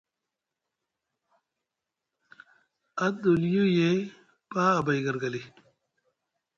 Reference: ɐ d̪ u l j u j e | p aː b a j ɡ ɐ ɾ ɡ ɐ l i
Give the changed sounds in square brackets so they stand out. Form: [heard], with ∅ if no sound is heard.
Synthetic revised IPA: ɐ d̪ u l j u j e | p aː b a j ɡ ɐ ɾ ɡ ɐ l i